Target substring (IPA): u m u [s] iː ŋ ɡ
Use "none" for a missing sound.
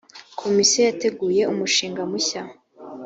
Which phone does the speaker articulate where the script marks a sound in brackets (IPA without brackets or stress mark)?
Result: ʃ